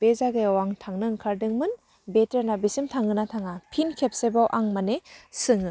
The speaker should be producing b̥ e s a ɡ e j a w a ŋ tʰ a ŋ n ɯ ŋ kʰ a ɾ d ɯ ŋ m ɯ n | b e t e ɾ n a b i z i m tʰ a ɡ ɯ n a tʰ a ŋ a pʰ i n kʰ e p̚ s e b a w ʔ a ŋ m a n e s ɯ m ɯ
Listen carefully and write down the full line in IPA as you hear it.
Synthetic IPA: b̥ e z a ɡ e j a w a ŋ tʰ a ŋ n ɯ ŋ kʰ a ɾ d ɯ ŋ m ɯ n | b e t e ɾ n a b i s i m tʰ a ŋ ɯ n a tʰ a ŋ a pʰ i n kʰ e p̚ s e b a w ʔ a ŋ m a n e s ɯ ŋ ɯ